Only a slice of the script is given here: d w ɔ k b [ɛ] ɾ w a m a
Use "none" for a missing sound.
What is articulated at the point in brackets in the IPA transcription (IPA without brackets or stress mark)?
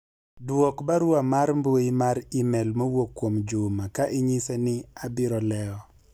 a